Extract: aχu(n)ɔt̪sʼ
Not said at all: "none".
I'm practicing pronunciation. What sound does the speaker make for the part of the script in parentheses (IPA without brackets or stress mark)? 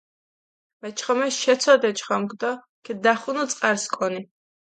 n